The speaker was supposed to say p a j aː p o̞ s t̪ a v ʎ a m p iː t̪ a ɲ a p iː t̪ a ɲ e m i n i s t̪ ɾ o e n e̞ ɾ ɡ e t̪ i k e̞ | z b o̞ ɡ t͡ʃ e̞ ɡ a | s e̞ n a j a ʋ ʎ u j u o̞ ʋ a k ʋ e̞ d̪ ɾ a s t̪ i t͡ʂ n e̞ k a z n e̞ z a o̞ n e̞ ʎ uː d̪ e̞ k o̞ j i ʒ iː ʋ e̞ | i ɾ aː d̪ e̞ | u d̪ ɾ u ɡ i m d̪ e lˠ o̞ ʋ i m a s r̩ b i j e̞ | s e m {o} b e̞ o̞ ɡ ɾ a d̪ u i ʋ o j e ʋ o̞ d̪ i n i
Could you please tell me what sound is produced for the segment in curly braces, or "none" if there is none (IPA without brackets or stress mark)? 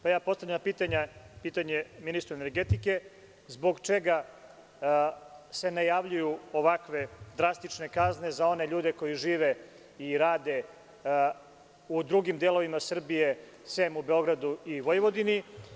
u